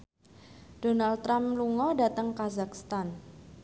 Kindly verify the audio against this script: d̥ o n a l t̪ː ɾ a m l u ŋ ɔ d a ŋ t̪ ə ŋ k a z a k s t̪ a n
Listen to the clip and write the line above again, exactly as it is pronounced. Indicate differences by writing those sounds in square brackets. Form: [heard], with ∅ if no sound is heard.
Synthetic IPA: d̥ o n a l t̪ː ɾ a m l u ŋ ɔ d a [∅] t̪ ə ŋ k a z a k s t̪ a n